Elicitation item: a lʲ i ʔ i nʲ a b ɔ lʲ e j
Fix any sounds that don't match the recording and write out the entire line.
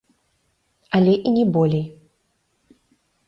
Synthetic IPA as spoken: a lʲ ɛ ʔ i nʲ ɛ b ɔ lʲ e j